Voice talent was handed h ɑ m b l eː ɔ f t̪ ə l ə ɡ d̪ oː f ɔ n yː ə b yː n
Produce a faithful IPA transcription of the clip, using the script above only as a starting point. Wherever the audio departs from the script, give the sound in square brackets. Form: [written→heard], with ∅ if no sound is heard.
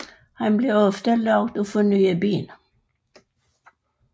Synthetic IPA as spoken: h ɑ [m→n] b l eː ɔ f t̪ ə l [ə→ɑ] ɡ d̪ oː f ɔ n yː ə b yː n